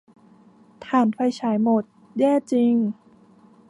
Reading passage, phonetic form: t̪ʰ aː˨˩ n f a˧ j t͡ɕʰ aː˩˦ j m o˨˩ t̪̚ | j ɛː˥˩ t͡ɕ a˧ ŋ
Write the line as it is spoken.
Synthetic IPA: t̪ʰ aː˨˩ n f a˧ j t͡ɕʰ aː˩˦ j m o˨˩ t̪̚ | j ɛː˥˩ t͡ɕ i˧ ŋ